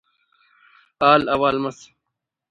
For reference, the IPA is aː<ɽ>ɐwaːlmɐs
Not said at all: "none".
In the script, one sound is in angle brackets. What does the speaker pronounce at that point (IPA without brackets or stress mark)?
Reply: l